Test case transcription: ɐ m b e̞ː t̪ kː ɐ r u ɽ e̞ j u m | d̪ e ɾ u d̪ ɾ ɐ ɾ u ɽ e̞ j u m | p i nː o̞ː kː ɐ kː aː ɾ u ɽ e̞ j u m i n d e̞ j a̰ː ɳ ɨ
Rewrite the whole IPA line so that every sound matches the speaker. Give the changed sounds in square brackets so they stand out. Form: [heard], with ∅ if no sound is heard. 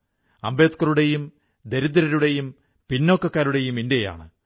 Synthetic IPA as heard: ɐ m b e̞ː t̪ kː ɐ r u ɽ e̞ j u m | d̪ e ɾ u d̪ ɾ ɐ ɾ u ɽ e̞ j u m | p i nː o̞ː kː ɐ kː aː ɾ u ɽ e̞ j u m i n d e̞ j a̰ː ɳ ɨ